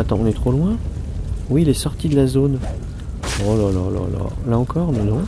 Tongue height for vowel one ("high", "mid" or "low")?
low